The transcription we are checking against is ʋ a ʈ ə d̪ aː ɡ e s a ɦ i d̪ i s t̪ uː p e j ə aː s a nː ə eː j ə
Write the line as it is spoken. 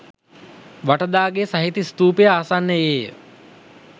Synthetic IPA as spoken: ʋ a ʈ ə d̪ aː ɡ e s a ɦ i t̪ i s t̪ uː p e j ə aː s a nː ə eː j ə